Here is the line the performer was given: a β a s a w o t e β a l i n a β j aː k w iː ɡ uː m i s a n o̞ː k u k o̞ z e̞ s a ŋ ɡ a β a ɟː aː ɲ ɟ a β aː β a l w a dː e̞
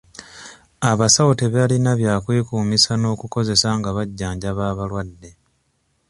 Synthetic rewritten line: a β a s a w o t e β a l i n a β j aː k w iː k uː m i s a n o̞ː k u k o̞ z e̞ s a ŋ ɡ a β a ɟː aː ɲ ɟ a β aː β a l w a dː e̞